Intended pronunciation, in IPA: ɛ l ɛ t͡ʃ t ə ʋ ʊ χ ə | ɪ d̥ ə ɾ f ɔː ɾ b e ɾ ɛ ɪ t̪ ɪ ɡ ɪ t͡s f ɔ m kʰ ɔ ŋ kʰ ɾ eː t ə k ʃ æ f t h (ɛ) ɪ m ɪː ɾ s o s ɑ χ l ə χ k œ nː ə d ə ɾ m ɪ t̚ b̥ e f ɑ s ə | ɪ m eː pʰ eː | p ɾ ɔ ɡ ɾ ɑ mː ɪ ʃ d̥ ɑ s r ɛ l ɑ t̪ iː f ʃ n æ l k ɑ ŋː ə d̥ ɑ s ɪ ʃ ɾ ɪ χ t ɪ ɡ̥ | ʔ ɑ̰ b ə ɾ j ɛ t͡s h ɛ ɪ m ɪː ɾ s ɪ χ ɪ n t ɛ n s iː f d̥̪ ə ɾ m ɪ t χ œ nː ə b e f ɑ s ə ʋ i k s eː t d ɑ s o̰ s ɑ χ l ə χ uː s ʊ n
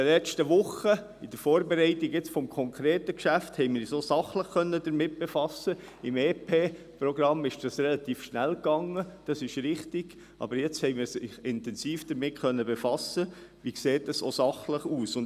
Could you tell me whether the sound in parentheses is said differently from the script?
no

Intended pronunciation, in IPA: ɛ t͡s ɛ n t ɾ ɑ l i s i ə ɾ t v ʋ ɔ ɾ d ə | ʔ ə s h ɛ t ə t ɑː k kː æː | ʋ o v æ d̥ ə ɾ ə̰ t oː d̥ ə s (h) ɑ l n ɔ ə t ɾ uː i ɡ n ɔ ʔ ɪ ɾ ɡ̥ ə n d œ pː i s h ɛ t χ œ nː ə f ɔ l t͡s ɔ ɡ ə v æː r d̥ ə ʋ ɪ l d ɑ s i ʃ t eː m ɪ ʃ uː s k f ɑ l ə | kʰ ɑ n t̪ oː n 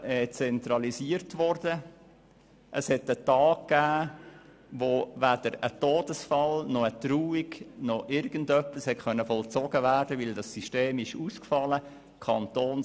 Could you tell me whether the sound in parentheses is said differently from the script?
yes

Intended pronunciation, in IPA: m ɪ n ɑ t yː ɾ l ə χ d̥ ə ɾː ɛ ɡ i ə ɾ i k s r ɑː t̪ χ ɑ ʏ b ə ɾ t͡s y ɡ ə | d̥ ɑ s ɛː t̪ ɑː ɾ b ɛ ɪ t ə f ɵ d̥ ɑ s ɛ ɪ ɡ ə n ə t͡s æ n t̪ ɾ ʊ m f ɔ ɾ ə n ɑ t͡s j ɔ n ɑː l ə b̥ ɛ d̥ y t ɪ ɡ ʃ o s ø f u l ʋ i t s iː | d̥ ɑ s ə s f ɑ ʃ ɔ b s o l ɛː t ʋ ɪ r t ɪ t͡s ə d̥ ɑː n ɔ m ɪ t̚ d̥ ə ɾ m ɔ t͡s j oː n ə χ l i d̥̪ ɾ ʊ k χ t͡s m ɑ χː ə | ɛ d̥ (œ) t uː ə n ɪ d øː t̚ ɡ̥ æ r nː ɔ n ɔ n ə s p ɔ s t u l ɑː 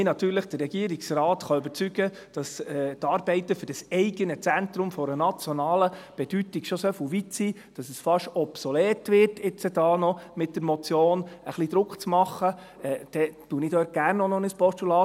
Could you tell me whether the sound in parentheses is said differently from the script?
yes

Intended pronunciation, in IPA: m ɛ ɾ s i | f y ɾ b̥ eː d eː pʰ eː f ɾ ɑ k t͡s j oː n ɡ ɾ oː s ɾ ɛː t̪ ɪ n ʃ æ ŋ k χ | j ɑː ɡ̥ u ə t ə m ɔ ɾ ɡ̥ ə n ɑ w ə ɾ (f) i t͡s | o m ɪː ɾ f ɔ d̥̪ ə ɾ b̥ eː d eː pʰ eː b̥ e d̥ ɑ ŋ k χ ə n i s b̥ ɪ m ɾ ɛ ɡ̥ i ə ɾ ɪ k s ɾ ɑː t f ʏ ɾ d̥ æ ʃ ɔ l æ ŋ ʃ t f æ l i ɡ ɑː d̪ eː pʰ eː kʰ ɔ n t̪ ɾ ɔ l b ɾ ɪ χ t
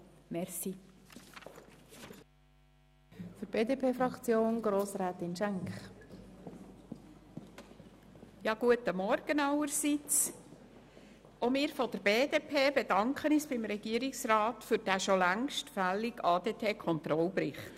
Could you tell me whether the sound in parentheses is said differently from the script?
yes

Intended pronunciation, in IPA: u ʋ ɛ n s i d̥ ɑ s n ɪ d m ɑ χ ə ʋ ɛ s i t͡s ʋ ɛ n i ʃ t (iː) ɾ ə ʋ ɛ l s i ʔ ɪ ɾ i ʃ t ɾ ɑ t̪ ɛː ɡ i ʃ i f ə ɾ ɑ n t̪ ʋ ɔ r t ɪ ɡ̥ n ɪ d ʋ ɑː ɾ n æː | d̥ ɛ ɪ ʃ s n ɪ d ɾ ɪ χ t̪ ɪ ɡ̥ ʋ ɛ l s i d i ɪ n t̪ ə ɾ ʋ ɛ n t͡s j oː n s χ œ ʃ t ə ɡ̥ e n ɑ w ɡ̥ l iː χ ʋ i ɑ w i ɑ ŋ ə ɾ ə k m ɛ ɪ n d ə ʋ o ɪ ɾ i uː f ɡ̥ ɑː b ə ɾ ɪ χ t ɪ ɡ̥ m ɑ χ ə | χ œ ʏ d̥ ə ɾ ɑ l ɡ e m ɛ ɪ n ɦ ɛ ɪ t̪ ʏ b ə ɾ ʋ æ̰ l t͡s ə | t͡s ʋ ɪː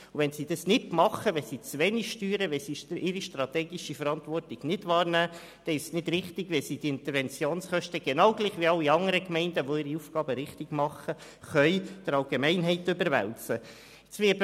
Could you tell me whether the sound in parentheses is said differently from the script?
yes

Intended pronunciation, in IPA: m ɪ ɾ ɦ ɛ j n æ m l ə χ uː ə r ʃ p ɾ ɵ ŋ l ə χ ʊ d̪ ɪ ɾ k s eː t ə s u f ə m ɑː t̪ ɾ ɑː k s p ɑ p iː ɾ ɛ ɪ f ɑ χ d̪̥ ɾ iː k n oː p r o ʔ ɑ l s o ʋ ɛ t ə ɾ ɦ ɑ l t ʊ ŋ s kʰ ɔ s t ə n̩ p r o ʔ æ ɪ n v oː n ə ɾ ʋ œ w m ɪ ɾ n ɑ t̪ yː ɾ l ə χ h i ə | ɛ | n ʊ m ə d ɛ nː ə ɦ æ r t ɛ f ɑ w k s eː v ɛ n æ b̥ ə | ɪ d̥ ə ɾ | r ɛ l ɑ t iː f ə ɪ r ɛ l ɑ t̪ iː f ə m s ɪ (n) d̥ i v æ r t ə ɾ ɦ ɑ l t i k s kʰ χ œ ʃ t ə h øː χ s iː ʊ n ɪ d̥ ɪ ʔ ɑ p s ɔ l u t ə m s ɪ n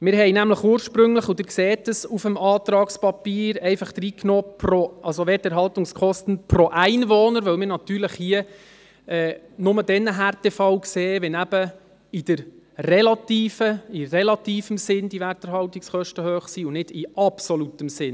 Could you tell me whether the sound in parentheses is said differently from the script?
no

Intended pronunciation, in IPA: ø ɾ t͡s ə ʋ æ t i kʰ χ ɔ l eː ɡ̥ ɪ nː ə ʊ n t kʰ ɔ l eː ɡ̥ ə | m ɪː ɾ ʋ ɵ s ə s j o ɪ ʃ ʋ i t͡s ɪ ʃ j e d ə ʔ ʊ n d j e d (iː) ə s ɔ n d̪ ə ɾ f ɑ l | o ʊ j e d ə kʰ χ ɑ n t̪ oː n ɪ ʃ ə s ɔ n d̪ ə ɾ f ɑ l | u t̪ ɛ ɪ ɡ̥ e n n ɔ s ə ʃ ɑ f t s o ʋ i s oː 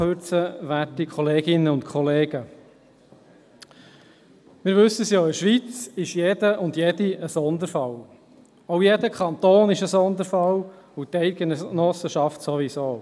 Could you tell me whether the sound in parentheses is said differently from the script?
yes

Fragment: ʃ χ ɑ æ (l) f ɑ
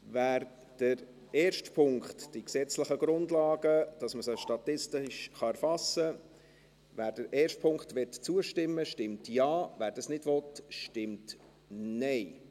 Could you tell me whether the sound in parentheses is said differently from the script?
yes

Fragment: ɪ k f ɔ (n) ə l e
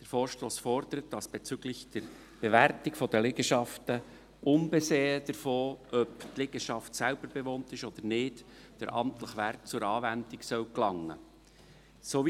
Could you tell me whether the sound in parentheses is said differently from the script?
yes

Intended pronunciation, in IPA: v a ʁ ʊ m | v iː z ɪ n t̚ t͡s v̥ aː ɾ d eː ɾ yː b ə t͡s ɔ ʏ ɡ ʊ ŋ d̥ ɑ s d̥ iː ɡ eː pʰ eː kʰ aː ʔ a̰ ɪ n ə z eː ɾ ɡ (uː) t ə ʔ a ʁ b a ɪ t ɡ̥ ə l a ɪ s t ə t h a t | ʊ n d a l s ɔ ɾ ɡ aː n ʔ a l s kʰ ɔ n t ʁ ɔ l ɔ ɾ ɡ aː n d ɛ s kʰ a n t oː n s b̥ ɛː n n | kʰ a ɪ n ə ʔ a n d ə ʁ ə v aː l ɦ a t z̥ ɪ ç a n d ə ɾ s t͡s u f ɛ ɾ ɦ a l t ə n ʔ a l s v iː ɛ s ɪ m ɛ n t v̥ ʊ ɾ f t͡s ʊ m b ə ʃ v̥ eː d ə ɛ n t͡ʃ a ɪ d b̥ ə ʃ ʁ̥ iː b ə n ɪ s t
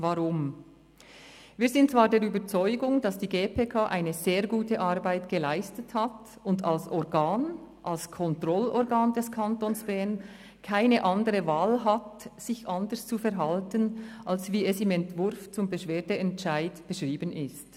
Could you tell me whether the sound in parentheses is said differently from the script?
no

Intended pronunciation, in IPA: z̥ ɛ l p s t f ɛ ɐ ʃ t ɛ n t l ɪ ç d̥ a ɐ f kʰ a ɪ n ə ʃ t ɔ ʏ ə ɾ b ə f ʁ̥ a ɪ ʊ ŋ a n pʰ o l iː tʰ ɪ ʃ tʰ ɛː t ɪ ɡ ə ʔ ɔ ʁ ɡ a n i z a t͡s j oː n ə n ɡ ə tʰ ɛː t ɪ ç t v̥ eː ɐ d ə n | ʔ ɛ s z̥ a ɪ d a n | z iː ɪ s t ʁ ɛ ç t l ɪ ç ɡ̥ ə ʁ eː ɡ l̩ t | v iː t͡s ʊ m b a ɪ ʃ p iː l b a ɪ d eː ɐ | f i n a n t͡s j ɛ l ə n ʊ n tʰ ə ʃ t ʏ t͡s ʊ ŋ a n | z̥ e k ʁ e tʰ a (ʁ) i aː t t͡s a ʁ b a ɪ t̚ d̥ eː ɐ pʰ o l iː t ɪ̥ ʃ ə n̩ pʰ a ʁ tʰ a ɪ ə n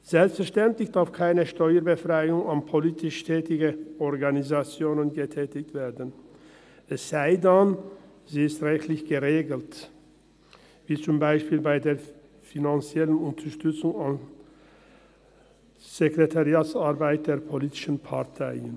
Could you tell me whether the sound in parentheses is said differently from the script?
no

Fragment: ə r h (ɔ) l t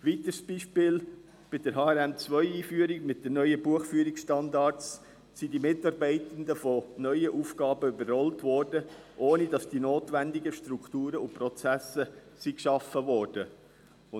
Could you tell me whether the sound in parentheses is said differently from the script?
no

